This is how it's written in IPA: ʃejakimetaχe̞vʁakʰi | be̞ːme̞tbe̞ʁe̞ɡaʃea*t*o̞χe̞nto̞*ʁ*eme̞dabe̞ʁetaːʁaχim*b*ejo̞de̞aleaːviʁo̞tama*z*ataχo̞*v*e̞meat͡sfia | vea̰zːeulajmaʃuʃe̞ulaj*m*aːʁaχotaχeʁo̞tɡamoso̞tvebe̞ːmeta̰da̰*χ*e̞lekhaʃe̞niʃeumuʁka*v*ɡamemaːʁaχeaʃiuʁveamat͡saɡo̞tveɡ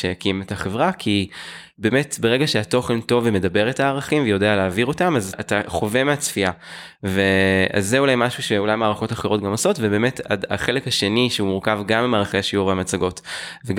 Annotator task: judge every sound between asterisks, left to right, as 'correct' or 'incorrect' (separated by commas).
correct, incorrect, incorrect, correct, correct, correct, correct, correct